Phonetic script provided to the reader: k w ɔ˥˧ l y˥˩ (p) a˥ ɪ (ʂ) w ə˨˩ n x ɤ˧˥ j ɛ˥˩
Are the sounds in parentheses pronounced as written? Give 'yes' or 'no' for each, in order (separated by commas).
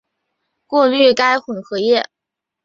no, no